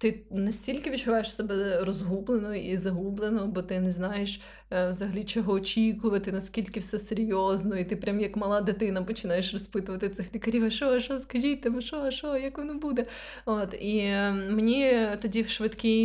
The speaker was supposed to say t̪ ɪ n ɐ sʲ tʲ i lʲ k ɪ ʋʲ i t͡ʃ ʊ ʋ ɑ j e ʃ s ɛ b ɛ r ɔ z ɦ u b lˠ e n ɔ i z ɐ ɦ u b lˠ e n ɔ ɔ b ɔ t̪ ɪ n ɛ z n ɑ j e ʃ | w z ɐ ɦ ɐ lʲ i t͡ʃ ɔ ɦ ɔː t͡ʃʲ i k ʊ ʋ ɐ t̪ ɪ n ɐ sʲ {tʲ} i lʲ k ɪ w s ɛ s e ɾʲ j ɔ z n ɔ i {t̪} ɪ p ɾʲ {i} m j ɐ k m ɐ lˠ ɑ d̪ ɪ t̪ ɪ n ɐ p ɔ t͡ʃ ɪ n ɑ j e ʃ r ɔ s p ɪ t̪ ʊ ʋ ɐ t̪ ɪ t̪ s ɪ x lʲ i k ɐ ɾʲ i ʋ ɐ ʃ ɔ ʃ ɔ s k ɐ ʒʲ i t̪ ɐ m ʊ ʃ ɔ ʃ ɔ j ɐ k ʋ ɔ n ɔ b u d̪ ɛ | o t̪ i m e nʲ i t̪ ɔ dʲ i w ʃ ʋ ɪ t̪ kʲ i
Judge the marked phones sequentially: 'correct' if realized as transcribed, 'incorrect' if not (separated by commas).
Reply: incorrect, correct, incorrect